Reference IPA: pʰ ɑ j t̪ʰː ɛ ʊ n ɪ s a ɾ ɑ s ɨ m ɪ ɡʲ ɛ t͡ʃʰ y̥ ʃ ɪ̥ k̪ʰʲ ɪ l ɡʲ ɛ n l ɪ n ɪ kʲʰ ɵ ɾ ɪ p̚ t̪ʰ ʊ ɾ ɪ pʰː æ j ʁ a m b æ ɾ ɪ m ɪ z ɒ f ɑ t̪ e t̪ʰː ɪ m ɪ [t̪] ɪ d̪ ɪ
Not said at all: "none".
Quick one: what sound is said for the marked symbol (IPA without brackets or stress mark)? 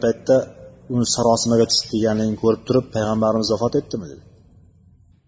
d̪